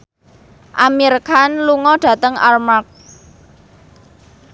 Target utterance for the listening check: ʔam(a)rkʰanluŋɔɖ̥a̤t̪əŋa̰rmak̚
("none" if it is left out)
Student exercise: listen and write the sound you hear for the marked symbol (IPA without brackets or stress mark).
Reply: i